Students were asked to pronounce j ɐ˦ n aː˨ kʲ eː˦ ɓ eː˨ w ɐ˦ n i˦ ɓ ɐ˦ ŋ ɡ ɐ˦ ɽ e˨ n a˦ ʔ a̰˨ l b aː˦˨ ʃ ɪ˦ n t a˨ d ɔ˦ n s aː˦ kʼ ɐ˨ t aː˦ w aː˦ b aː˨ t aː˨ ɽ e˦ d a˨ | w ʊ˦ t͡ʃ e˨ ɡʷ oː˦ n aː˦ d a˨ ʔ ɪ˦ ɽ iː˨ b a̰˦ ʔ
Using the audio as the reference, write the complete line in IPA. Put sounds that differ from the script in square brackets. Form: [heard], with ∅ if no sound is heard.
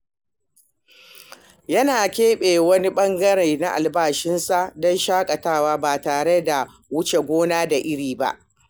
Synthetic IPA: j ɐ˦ n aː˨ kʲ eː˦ ɓ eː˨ w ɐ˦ n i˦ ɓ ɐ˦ ŋ ɡ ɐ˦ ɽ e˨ n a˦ ʔ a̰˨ l b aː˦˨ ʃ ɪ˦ n [s] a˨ d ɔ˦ n [ʃ] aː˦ kʼ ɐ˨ t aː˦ w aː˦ b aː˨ t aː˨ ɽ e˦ d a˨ | w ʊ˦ t͡ʃ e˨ ɡʷ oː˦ n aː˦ d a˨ ʔ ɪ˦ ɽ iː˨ b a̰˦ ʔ